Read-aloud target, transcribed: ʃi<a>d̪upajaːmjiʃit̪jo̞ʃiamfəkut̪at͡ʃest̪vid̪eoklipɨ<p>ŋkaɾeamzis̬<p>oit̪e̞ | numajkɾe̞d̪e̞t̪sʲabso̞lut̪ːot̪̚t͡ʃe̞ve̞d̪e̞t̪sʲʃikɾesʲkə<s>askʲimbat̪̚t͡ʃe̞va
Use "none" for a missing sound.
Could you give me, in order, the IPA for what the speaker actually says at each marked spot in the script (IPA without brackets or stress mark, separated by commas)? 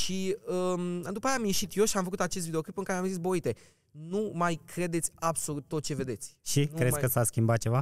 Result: ə, none, b, s